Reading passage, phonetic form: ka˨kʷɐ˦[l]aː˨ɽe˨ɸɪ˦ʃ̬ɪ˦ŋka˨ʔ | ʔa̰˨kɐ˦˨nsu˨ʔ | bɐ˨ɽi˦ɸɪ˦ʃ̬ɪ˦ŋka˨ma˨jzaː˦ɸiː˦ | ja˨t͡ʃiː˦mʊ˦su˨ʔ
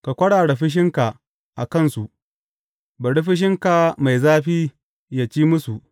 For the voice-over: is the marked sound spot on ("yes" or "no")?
no